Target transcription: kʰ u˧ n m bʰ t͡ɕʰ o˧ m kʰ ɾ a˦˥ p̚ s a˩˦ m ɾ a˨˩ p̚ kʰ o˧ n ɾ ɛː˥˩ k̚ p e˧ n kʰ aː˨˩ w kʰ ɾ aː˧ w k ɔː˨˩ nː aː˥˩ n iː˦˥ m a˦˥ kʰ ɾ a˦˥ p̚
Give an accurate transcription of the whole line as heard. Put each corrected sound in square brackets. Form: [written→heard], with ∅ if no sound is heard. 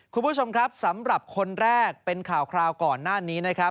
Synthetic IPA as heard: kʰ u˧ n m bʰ t͡ɕʰ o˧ m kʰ ɾ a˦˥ p̚ s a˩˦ m ɾ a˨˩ p̚ kʰ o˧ n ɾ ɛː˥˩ k̚ p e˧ n kʰ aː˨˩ w kʰ ɾ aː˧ w k ɔː˨˩ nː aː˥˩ n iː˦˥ [m→n] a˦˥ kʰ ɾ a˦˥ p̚